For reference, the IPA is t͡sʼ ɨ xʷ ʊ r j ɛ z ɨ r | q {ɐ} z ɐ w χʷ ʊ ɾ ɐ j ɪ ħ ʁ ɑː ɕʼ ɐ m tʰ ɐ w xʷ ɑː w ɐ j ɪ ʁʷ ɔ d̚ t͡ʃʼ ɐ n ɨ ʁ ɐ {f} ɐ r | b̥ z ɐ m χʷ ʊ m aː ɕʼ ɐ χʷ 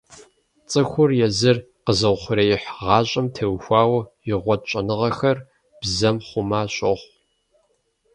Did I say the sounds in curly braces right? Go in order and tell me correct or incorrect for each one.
incorrect, incorrect

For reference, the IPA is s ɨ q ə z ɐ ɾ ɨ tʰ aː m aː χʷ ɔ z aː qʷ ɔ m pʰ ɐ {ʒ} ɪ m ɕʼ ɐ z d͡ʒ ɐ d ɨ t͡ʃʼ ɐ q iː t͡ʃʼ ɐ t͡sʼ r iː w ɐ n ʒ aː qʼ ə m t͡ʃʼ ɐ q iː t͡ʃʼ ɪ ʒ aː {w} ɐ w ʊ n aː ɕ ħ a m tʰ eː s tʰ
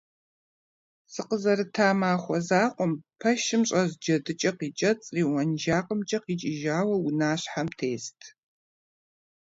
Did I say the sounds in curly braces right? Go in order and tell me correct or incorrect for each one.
incorrect, correct

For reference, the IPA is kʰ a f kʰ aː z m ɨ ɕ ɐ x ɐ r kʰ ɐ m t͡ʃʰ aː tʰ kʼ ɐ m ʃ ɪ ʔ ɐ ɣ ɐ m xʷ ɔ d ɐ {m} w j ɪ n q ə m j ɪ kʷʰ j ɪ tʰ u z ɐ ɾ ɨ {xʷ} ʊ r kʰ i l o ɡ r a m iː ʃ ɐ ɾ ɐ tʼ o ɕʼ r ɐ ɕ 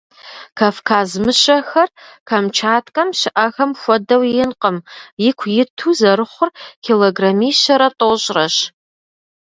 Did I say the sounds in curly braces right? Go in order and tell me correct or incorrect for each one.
incorrect, incorrect

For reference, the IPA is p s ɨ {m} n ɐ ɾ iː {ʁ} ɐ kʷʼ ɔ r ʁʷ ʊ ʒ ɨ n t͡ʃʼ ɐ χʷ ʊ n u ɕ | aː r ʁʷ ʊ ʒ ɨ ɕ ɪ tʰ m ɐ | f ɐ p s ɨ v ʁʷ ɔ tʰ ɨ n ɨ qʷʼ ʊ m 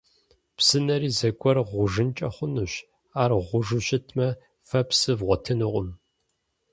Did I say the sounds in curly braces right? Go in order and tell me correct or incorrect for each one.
incorrect, incorrect

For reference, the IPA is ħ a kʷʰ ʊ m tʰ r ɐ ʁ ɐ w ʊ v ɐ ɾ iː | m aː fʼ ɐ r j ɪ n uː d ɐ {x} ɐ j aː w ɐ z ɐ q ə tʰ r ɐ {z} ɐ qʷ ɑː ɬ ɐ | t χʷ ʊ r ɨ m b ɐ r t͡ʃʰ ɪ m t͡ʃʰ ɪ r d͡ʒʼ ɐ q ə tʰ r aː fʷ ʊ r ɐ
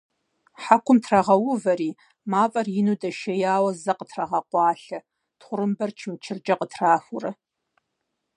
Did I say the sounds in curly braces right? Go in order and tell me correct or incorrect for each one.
incorrect, incorrect

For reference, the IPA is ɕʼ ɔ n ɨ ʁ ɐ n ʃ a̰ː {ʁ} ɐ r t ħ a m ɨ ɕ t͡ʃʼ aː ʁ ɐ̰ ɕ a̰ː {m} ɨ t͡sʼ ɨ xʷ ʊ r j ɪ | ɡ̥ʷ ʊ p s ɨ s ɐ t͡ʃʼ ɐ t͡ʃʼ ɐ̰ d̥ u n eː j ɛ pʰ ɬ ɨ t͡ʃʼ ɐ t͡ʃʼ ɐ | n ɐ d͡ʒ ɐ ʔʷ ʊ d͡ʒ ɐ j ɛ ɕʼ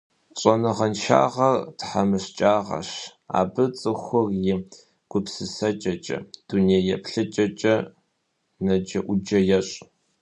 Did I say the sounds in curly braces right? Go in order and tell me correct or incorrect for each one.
correct, incorrect

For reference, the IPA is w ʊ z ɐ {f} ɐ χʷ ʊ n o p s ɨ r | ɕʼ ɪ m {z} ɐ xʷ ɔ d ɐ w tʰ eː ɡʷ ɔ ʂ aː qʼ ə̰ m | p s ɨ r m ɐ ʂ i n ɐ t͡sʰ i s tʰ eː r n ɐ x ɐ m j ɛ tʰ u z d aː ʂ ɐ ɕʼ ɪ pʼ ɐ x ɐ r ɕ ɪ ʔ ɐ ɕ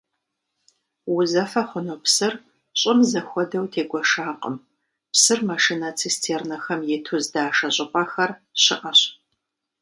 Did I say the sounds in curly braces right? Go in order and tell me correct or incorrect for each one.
correct, correct

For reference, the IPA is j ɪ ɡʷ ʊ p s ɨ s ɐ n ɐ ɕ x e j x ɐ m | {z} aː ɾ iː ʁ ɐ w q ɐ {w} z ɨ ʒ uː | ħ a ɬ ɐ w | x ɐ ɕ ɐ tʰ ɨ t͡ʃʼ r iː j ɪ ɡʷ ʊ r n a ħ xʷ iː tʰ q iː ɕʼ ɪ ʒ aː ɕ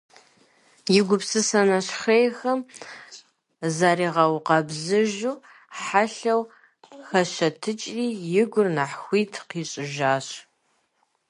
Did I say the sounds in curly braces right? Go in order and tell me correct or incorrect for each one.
correct, incorrect

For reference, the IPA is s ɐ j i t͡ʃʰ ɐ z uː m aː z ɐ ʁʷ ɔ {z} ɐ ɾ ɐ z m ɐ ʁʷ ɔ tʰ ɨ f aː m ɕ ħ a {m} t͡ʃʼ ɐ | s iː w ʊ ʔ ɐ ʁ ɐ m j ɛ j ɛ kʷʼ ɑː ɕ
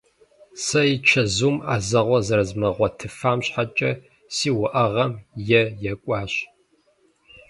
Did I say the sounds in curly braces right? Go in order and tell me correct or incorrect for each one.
correct, incorrect

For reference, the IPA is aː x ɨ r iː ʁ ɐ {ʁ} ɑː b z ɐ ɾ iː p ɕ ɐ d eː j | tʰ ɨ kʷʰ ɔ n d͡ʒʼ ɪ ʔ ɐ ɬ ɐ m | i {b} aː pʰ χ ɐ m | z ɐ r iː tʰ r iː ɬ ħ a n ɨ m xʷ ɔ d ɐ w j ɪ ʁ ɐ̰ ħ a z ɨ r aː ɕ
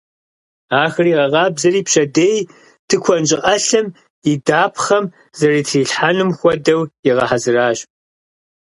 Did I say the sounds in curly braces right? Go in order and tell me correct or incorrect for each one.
correct, incorrect

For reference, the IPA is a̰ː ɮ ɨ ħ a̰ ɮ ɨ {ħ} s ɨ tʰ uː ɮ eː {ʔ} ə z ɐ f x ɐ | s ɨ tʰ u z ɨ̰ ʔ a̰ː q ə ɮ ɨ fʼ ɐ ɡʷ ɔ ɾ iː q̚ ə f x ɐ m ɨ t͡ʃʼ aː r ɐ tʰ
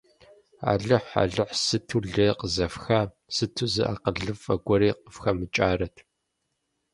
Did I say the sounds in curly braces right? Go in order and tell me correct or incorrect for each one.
correct, incorrect

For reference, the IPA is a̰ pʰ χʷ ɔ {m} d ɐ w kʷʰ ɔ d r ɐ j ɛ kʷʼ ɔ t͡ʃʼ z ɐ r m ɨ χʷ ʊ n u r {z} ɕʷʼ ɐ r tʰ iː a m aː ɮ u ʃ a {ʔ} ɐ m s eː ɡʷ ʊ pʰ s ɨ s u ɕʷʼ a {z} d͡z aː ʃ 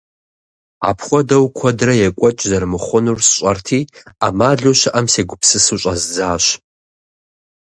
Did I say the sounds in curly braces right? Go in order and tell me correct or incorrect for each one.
incorrect, incorrect, correct, correct

